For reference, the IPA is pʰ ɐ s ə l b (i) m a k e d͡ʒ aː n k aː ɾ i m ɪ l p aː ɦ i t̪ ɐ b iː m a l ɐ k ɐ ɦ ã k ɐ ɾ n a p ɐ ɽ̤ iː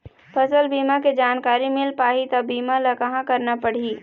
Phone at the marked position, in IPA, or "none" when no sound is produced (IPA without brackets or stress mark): iː